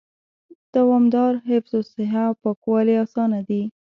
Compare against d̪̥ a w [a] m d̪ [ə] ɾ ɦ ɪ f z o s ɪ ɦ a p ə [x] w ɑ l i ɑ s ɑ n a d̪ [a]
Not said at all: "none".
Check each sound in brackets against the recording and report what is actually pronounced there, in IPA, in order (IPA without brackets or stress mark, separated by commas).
ɑ, ɑ, k, i